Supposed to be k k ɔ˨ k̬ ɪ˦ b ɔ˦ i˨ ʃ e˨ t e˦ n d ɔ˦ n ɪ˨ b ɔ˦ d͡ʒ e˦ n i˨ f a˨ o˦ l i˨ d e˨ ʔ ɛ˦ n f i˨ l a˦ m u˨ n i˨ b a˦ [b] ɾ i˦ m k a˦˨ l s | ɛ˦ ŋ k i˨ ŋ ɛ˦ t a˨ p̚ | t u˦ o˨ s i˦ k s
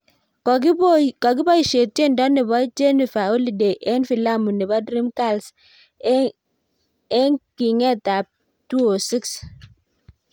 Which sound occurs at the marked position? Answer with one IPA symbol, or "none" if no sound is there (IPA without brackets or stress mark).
d